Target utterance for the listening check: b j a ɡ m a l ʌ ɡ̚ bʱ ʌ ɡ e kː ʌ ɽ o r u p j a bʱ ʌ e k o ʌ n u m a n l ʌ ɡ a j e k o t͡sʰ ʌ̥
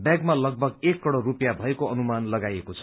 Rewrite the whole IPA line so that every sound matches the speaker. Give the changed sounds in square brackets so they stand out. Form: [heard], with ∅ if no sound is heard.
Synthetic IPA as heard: b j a ɡ m a l ʌ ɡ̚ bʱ ʌ ɡ e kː ʌ ɽ o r u p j a bʱ ʌ e k o ʌ n u m a n l ʌ ɡ a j e k o t͡sʰ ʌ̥